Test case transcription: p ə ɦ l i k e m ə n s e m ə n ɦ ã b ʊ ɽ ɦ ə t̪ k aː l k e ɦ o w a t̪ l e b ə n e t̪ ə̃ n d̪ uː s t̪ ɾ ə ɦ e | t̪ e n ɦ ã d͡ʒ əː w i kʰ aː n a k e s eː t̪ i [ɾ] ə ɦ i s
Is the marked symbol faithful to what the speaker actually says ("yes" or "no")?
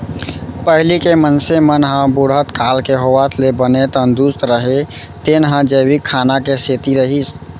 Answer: yes